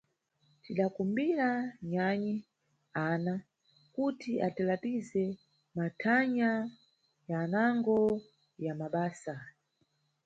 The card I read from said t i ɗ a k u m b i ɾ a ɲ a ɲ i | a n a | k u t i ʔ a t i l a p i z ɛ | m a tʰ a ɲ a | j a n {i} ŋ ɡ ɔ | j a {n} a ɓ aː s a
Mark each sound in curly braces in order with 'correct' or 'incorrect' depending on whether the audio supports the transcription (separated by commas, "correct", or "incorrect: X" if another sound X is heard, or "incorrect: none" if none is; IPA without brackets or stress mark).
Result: incorrect: a, incorrect: m